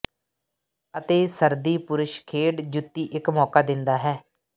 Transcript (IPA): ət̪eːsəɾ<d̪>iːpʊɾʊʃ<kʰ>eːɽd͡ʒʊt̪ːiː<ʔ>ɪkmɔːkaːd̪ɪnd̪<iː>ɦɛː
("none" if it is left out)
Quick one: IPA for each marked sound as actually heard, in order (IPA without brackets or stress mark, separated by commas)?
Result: d̪, kʰ, ʔ, aː